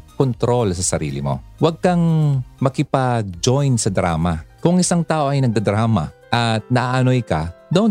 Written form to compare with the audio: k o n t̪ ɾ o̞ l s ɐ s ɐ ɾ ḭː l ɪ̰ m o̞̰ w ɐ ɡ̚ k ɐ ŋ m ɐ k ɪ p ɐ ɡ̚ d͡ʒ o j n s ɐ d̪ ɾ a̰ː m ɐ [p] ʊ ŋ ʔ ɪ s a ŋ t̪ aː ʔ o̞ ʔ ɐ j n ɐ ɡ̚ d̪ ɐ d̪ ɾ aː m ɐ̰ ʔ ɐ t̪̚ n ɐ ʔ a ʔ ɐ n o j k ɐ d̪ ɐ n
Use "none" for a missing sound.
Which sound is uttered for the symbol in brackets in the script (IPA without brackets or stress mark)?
k